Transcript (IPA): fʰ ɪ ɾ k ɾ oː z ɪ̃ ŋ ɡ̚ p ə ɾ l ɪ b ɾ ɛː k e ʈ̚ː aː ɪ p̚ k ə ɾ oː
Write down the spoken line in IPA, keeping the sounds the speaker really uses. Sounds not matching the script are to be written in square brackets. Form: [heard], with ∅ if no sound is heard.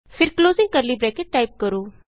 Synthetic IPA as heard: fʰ ɪ ɾ k [l] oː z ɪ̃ ŋ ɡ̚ [k] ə ɾ l [i] b ɾ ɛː k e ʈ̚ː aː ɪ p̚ k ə ɾ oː